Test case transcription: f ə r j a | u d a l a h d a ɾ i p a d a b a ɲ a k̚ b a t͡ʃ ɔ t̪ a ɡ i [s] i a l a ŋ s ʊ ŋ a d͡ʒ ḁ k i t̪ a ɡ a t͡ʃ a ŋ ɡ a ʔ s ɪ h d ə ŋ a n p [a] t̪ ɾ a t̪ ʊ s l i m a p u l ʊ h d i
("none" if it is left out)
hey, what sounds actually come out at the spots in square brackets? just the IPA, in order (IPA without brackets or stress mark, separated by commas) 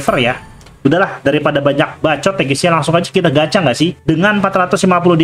s, a